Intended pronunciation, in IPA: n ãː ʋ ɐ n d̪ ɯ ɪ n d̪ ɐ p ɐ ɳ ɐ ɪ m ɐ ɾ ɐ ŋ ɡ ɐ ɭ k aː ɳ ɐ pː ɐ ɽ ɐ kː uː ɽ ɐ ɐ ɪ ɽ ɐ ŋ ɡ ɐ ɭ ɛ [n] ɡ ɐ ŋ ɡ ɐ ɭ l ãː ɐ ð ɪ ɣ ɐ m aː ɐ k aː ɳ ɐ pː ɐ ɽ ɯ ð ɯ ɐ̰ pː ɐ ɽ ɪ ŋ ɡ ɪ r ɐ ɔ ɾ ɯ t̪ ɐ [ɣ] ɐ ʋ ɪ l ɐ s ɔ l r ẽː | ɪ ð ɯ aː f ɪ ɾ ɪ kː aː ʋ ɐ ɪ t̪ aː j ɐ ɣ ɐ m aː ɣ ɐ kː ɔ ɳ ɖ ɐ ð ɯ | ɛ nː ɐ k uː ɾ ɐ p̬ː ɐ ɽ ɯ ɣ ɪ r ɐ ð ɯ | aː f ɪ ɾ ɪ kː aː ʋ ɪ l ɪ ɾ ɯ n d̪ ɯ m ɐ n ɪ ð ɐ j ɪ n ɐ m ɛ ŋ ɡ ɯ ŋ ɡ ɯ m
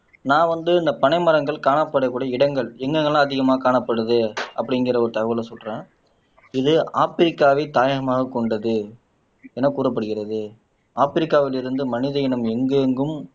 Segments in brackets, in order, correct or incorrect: incorrect: ŋ, correct

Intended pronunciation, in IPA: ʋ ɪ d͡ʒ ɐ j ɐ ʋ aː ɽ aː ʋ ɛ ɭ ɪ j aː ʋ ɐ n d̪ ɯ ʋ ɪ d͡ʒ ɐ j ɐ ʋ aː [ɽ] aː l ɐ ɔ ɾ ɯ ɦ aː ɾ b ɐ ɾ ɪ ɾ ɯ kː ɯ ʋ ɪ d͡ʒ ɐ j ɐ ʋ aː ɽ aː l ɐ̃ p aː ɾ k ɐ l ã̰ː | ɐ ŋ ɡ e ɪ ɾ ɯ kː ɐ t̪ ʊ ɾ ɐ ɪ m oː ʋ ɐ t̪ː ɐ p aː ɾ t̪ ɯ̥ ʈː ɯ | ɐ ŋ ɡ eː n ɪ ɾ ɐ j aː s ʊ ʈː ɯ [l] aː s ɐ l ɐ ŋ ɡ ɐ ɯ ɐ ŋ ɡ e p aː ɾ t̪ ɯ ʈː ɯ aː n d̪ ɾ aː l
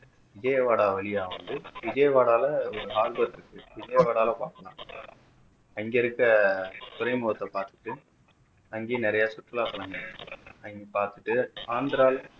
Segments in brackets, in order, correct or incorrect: correct, correct

